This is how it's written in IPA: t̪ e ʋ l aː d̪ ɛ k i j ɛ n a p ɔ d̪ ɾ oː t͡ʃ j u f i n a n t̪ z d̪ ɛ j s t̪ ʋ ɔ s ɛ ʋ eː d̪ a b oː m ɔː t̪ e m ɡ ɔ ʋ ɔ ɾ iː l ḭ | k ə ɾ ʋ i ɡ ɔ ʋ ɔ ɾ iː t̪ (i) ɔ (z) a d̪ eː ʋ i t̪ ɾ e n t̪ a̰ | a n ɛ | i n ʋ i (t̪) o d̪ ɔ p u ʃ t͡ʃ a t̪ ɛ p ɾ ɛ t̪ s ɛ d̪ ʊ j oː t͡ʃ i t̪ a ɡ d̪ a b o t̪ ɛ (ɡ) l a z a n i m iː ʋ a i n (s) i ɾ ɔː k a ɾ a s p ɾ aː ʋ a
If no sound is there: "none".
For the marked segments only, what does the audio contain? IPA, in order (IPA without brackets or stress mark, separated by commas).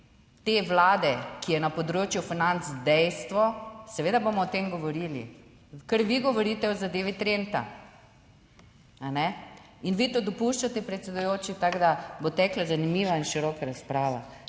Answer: ɛ, z, t̪, k, ʃ